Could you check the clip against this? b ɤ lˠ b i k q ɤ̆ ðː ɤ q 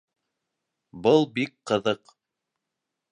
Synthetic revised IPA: b ɤ lˠ b i k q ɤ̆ ð ɤ q